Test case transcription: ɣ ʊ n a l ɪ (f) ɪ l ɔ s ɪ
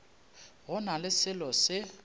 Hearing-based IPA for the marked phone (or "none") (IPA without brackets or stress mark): s